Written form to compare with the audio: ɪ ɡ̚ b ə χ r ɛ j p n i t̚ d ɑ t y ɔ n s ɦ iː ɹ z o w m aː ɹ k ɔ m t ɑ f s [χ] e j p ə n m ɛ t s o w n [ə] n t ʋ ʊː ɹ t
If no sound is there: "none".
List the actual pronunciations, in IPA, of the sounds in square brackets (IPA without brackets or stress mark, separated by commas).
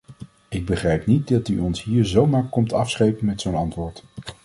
χ, ɑ